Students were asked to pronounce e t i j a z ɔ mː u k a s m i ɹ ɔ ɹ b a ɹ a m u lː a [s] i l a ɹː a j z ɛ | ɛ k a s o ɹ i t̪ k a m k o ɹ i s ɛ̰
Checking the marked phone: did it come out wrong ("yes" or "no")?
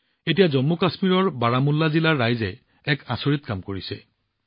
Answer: yes